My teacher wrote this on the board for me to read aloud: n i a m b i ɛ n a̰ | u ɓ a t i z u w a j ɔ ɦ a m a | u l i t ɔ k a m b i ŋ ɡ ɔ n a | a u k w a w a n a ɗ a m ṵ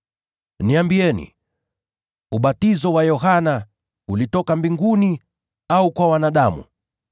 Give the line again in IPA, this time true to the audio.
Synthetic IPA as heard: n i a m b i ɛ n ḭ | u ɓ a t i z ɔ w a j ɔ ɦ a n a | u l i t ɔ k a m b i ŋ ɡ u n i | a u k w a w a n a ɗ a m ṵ